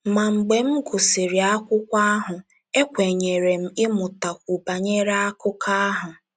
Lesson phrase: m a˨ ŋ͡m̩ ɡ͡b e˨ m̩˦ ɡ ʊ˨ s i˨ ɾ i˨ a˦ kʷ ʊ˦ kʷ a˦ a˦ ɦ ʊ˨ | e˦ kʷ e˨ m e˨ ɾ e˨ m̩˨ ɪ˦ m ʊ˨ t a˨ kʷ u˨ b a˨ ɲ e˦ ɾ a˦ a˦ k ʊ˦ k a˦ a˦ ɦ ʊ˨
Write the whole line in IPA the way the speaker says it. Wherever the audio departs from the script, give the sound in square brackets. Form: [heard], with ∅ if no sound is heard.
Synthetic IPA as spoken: m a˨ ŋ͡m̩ ɡ͡b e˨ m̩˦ ɡ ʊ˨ s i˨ ɾ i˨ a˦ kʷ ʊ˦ kʷ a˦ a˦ ɦ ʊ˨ | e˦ kʷ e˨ [ɲ] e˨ ɾ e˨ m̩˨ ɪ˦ m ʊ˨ t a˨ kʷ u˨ b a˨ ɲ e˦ ɾ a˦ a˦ k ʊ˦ k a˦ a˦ ɦ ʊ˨